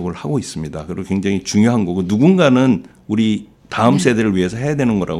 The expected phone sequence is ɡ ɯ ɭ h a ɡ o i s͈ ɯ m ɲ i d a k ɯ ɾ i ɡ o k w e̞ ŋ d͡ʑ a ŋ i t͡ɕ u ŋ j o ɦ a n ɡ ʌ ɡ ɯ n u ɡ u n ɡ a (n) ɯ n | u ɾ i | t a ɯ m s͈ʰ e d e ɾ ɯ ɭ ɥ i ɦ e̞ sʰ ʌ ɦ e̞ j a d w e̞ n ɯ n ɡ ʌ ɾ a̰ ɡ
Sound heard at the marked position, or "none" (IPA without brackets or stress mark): n